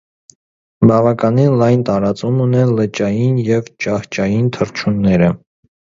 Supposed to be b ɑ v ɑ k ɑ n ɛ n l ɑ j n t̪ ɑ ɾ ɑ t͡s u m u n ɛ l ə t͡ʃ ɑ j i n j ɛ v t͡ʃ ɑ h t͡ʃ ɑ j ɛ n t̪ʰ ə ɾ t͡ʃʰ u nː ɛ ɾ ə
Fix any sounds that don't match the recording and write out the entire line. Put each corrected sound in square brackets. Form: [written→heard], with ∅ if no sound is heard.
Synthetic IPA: b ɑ v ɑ k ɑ n [ɛ→i] n l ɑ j n t̪ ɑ ɾ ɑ t͡s u m u n ɛ l ə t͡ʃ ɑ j i n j ɛ v t͡ʃ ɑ h t͡ʃ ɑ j [ɛ→i] n t̪ʰ ə ɾ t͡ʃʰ u nː ɛ ɾ ə